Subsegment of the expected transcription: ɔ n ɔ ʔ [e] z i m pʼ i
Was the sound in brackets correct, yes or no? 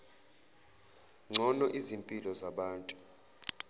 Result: no